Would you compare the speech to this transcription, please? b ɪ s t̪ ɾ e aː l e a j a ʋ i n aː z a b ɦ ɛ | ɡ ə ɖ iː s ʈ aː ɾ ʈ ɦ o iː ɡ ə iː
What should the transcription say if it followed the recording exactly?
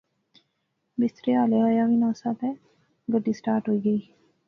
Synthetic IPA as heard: b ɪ s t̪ ɾ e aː l e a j a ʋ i n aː s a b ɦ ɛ | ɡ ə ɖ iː s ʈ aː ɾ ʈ ɦ o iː ɡ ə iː